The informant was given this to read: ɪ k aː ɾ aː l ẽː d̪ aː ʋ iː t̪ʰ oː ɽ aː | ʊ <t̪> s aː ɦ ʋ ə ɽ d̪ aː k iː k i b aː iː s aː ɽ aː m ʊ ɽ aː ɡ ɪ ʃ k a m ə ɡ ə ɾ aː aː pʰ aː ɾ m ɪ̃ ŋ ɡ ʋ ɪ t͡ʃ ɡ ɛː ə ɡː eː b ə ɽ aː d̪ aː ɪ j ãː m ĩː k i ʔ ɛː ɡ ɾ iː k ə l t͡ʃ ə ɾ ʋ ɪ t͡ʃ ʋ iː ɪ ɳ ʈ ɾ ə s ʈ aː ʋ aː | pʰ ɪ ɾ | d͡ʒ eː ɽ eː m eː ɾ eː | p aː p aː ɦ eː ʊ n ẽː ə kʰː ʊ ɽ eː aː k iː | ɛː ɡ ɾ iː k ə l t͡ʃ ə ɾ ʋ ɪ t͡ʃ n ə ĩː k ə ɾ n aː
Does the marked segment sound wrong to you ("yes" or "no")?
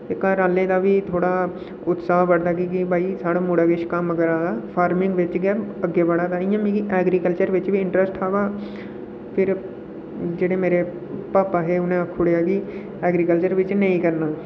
no